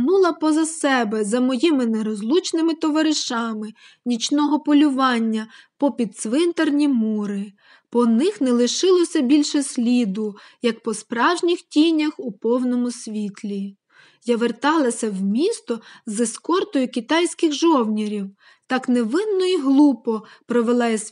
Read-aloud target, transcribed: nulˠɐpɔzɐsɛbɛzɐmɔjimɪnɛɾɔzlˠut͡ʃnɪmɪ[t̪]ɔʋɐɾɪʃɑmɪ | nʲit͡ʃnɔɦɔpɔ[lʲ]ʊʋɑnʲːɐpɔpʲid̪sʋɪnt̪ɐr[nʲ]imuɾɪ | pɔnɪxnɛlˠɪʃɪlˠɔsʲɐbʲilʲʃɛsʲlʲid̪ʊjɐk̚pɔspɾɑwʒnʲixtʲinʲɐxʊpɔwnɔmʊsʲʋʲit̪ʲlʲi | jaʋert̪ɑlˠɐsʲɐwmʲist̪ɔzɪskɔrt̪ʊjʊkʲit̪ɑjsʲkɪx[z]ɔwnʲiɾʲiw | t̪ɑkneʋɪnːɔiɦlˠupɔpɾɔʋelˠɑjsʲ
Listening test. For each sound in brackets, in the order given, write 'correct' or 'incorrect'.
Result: correct, correct, correct, incorrect: ʒ

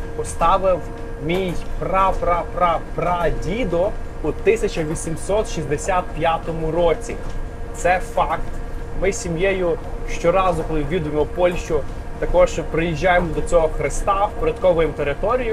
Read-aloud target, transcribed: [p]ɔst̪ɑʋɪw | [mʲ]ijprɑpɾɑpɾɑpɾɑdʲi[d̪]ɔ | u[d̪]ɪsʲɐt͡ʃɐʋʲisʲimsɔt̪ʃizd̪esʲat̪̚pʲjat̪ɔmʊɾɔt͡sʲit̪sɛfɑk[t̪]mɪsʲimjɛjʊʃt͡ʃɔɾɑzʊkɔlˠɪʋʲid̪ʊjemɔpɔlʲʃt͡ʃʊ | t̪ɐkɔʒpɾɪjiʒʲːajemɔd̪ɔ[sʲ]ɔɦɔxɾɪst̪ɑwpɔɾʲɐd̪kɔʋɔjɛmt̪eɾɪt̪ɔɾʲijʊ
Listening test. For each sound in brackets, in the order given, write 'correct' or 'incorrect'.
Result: correct, correct, correct, incorrect: t̪, correct, incorrect: t͡sʲ

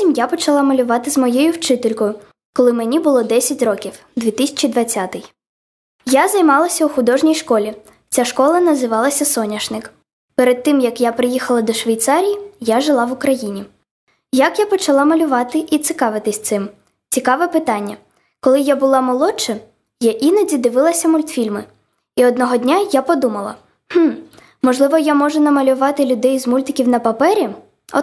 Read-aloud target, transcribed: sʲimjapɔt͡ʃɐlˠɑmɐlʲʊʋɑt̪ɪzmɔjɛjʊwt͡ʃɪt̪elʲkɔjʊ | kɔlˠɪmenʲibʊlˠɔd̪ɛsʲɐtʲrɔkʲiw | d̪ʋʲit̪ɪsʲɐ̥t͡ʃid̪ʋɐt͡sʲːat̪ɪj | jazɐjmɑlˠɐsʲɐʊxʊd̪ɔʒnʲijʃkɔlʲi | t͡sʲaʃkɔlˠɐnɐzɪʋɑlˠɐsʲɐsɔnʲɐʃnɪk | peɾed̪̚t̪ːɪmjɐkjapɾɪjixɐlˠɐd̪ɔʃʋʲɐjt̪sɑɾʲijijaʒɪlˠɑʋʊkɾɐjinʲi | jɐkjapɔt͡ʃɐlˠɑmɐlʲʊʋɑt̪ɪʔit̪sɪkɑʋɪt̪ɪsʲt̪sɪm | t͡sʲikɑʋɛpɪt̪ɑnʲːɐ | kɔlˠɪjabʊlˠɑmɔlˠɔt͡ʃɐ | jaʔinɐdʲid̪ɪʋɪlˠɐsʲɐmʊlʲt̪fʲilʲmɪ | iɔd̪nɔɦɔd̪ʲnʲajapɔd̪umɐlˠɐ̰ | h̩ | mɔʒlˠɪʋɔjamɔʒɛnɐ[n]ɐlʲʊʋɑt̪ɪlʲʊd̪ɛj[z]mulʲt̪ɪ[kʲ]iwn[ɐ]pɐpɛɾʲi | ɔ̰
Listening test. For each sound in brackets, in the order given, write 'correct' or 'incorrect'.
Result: incorrect: m, correct, correct, correct

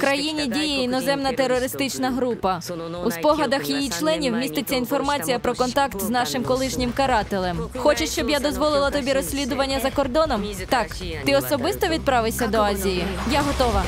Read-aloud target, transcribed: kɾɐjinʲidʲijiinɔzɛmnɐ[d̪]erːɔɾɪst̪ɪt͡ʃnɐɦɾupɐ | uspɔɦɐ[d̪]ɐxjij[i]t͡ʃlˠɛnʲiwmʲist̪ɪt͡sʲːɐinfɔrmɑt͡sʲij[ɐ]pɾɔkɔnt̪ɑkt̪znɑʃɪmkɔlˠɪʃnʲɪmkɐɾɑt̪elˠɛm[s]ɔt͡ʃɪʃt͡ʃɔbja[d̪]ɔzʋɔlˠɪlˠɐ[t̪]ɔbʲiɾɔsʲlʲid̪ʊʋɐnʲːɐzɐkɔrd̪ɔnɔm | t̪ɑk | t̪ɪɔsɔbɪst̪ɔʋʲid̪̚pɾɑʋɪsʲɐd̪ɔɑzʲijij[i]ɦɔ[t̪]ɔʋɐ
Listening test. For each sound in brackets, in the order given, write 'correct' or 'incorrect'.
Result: incorrect: t̪, correct, correct, correct, incorrect: x, correct, correct, incorrect: a, correct

